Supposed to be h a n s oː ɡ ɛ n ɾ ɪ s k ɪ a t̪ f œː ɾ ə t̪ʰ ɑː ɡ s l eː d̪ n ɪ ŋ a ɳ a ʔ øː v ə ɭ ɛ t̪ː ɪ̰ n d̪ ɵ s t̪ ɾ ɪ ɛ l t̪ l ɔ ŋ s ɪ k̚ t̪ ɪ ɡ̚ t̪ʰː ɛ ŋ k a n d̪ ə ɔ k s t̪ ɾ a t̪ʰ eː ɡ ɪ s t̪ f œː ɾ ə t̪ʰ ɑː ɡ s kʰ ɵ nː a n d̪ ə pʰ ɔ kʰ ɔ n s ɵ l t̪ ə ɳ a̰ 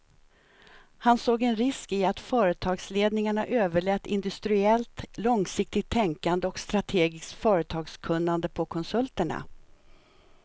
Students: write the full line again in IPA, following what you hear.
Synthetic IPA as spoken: h a n s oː ɡ ɛ n ɾ ɪ s k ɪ a t̪ f œː ɾ ə t̪ʰ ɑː ɡ s l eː d̪ n ɪ ŋ a ɳ a ʔ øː v ə ɭ ɛ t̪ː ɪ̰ n d̪ ɵ s t̪ ɾ ɪ ɛ l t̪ l ɔ ŋ s ɪ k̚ t̪ ɪ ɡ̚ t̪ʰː ɛ ŋ k a n d̪ ə ɔ k s t̪ ɾ a t̪ʰ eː ɡ ɪ s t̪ f œː ɾ ə t̪ʰ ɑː ɡ s kʰ ɵ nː a n d̪ ə pʰ ɔ kʰ ɔ n s ɵ l t̪ ə ɳ a̰